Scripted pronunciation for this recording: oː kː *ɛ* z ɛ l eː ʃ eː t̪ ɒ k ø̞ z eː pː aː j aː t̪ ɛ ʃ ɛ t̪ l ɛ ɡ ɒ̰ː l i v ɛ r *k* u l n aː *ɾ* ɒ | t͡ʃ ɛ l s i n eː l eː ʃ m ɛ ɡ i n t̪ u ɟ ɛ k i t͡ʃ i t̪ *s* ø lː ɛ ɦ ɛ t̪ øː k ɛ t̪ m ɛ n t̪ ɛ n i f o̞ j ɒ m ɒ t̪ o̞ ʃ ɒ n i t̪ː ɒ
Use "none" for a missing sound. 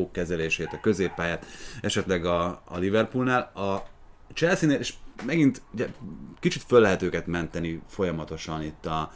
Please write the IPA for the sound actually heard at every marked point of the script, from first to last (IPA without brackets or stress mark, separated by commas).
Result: ɛ, p, l, f